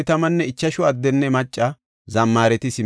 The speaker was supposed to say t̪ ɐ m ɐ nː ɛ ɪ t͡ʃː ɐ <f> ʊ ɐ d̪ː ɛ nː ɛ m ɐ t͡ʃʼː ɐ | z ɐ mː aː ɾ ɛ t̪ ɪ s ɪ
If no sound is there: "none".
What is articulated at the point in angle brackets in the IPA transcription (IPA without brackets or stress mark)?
ʃ